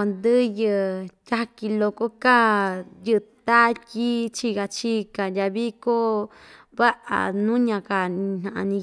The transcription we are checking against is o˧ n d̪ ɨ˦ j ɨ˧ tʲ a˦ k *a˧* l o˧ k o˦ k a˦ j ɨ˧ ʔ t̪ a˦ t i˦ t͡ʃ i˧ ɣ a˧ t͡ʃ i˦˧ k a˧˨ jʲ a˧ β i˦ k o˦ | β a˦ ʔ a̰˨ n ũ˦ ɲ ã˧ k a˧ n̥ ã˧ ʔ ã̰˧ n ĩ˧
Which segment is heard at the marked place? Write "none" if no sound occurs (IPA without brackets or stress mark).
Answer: i˧